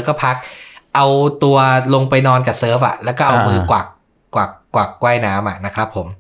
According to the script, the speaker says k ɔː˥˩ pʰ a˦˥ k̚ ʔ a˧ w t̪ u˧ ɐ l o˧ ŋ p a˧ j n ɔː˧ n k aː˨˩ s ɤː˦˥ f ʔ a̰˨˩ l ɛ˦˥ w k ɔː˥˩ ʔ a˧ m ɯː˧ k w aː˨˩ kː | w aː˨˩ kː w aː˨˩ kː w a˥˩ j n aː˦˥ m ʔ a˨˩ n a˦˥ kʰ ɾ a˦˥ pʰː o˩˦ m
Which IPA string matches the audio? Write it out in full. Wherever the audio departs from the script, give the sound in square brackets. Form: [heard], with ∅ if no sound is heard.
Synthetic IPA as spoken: k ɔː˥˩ pʰ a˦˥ k̚ ʔ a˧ w t̪ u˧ ɐ l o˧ ŋ p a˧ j n ɔː˧ n k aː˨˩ s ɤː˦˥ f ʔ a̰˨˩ l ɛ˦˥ w k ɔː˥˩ ʔ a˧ m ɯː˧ k w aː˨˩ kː | w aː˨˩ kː w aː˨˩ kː w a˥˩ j n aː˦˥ m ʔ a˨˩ n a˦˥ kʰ ɾ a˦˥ pʰː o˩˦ m